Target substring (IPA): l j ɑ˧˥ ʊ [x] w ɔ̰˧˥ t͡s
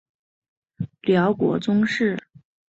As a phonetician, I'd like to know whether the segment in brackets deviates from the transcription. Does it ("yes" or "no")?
yes